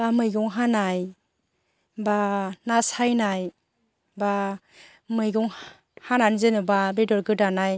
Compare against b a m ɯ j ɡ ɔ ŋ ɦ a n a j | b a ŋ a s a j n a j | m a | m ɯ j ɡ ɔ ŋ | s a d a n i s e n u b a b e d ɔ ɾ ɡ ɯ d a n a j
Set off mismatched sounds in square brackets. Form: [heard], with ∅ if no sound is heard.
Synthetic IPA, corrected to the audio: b a m ɯ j ɡ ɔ ŋ ɦ a n a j | b a [n] a s a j n a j | [b] a | m ɯ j ɡ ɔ ŋ | [h] a [n] a n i [z] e n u b a b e d ɔ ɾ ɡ ɯ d a n a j